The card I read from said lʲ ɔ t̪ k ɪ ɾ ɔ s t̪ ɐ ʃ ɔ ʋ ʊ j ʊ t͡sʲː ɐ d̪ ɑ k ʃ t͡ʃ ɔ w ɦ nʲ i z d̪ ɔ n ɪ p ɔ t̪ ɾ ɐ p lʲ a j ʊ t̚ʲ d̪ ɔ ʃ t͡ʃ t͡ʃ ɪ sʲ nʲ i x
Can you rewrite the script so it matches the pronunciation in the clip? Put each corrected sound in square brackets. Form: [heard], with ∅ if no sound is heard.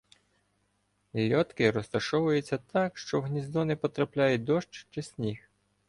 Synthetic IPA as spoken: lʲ ɔ t̪ k ɪ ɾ ɔ s t̪ ɐ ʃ ɔ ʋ ʊ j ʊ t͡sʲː ɐ [t̪] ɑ k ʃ t͡ʃ ɔ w ɦ nʲ i z d̪ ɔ n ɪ p ɔ t̪ ɾ ɐ p lʲ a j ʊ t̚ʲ d̪ ɔ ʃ t͡ʃ t͡ʃ ɪ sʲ nʲ i x